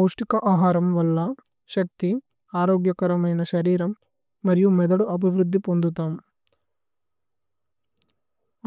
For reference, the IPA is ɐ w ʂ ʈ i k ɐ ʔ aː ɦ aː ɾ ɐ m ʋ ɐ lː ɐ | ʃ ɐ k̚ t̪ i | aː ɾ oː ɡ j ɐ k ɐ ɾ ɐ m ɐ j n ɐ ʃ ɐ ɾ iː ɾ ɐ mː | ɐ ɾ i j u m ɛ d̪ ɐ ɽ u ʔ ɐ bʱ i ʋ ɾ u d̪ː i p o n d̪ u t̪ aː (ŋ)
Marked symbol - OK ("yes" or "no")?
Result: no